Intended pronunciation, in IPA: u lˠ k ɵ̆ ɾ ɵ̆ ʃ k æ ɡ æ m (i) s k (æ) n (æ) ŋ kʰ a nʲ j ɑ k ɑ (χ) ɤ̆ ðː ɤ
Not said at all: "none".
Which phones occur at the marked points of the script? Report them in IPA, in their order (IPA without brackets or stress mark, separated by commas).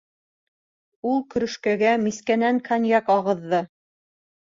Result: i, æ, æ, ʁ